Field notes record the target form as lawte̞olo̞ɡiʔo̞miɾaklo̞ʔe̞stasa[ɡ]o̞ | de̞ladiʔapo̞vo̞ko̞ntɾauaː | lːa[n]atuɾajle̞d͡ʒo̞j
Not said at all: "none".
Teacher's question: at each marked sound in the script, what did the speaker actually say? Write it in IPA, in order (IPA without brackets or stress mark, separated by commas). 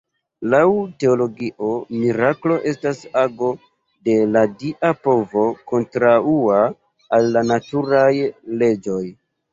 ɡ, n